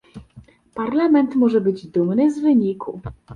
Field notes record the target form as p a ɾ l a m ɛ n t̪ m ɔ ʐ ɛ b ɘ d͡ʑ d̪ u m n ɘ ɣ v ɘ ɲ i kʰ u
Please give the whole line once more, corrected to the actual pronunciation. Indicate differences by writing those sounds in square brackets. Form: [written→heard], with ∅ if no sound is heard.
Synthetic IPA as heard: p a ɾ l a m ɛ n t̪ m ɔ ʐ ɛ b ɘ d͡ʑ d̪ u m n ɘ [ɣ→z] v ɘ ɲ i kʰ u